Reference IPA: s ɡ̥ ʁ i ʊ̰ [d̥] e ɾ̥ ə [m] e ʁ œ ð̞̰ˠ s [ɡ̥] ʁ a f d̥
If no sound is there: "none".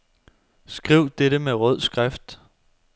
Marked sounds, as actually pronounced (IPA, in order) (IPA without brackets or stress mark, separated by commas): d̥, m, ɡ̥